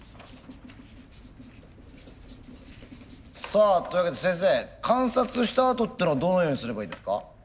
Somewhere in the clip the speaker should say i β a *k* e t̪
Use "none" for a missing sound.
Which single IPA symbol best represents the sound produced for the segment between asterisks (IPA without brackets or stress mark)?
k